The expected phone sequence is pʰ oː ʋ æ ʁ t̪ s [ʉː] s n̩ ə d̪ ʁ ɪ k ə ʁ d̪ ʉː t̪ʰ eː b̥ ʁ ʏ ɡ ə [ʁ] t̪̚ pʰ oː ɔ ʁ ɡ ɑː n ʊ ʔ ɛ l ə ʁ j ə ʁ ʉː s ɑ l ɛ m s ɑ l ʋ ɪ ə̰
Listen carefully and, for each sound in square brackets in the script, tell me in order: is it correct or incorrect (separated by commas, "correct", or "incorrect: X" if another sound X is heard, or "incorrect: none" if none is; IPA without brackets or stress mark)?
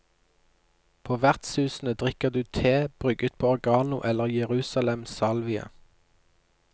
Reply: correct, incorrect: none